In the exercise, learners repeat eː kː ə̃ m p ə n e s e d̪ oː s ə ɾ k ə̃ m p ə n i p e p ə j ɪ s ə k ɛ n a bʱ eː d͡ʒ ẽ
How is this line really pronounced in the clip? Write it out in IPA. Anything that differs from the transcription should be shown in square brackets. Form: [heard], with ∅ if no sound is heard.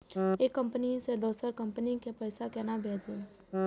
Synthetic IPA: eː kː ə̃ m p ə n [i] s e d̪ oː s ə ɾ k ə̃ m p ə n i [k] e p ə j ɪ s [a] k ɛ n a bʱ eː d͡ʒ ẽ